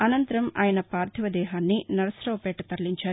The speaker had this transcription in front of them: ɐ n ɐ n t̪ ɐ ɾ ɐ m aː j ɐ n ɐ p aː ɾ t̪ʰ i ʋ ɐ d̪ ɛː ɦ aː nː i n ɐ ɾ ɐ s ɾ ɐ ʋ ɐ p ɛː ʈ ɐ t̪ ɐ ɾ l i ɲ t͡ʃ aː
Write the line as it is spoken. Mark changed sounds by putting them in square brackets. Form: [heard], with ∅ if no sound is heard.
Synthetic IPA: ɐ n ɐ n t̪ ɐ ɾ ɐ m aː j ɐ n ɐ p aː ɾ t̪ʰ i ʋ ɐ d̪ ɛː ɦ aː nː i n ɐ ɾ ɐ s ɾ ɐ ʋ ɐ p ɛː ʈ ɐ t̪ ɐ ɾ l i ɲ t͡ʃ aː

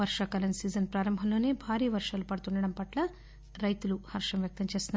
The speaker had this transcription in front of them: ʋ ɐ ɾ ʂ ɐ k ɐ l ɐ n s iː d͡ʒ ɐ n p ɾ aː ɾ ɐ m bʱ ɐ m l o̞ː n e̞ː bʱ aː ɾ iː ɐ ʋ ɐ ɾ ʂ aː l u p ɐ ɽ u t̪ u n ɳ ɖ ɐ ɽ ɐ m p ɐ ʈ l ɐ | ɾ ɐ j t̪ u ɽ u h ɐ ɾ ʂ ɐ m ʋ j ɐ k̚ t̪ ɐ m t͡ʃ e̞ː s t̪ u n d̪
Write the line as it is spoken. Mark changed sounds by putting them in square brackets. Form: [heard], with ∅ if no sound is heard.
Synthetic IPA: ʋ ɐ ɾ ʂ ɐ k ɐ l ɐ n s iː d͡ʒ ɐ n p ɾ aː ɾ ɐ m bʱ ɐ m l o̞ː n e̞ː bʱ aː ɾ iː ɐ ʋ ɐ ɾ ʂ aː l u p ɐ ɽ u t̪ u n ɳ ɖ ɐ ɽ ɐ m p ɐ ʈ l ɐ | ɾ ɐ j t̪ u [l] u h ɐ ɾ ʂ ɐ m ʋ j ɐ k̚ t̪ ɐ m t͡ʃ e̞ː s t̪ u n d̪

